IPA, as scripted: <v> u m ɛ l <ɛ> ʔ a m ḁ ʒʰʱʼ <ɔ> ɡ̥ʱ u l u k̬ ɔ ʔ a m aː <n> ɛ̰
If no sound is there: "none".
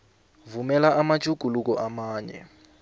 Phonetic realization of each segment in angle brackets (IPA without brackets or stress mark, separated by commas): v, a, u, ɲ